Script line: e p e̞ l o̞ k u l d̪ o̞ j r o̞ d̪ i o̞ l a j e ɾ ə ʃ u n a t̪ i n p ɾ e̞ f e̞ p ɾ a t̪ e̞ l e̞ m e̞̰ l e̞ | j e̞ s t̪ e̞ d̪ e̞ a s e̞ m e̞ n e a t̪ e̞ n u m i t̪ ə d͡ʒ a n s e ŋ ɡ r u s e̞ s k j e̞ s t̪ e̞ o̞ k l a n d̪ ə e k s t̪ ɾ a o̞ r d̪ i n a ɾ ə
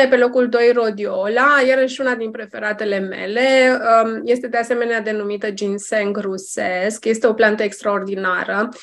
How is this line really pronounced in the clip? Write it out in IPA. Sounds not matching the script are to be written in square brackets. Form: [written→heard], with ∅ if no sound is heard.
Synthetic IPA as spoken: e p e̞ l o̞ k u l d̪ o̞ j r o̞ d̪ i o̞ l a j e ɾ ə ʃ u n a [t̪→d̪] i n p ɾ e̞ f e̞ [p→∅] ɾ a t̪ e̞ l e̞ m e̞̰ l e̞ | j e̞ s t̪ e̞ d̪ e̞ a s e̞ m e̞ n e a [t̪→d̪] e̞ n u m i t̪ ə d͡ʒ [a→i] n s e ŋ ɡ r u s e̞ s k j e̞ s t̪ e̞ o̞ [k→p] l a n [d̪→t̪] ə e k s t̪ ɾ a o̞ r d̪ i n a ɾ ə